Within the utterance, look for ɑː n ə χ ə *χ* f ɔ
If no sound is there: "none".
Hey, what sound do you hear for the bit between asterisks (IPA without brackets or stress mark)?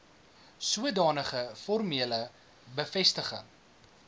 none